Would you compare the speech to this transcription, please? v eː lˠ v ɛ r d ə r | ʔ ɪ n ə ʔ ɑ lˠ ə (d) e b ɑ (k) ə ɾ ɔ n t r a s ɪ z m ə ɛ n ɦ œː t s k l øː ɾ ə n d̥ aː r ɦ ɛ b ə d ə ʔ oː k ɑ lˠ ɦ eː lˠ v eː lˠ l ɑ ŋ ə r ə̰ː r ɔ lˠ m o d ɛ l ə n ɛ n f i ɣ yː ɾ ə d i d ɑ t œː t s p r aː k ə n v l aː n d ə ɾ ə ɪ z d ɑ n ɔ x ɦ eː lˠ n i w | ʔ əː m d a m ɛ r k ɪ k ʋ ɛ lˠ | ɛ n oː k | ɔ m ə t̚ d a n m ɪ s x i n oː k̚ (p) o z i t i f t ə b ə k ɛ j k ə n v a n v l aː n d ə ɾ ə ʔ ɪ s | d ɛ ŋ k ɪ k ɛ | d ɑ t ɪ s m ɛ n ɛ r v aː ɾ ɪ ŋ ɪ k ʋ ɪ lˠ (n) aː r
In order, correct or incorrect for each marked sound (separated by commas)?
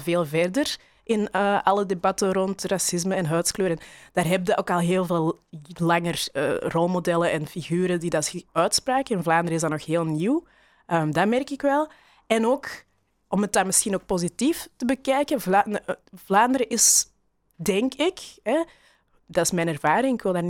correct, incorrect, correct, incorrect